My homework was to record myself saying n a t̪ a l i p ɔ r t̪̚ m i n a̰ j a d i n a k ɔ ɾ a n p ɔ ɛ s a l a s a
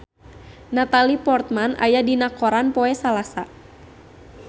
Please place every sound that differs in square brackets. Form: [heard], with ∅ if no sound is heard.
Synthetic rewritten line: n a t̪ a l i p ɔ r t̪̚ m [a] n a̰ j a d i n a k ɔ ɾ a n p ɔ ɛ s a l a s a